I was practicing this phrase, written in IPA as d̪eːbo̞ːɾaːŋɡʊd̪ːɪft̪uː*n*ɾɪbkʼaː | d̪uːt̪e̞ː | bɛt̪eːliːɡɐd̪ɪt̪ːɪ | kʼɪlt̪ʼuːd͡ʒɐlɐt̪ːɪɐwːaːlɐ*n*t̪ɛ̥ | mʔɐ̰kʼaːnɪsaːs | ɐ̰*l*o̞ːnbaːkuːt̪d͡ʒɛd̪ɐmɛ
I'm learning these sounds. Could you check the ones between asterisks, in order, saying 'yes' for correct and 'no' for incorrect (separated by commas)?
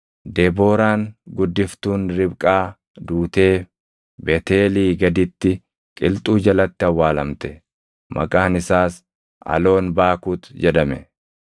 yes, no, yes